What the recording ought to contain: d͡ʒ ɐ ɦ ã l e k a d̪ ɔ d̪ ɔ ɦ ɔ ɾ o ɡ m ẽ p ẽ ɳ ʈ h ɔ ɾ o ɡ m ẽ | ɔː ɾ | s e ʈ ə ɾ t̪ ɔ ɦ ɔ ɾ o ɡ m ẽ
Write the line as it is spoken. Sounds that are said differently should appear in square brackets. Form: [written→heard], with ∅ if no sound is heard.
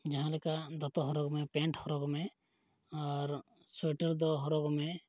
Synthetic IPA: d͡ʒ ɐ ɦ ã l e k a d̪ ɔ [d̪→t̪] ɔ ɦ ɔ ɾ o ɡ m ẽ p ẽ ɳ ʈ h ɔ ɾ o ɡ m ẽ | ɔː ɾ | s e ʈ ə ɾ [t̪→d̪] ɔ ɦ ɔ ɾ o ɡ m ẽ